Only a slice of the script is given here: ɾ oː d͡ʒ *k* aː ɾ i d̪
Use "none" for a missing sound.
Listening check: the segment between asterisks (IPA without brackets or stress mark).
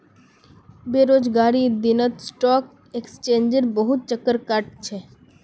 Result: ɡ